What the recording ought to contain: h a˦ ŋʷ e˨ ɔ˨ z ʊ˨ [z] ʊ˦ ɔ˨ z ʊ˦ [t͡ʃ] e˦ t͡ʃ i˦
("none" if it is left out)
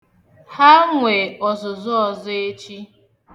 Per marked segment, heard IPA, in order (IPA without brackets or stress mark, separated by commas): z, none